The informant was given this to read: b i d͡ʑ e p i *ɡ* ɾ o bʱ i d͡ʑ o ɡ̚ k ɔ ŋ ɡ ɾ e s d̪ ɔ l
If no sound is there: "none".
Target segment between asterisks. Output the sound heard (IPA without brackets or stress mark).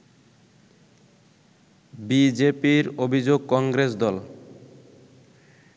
none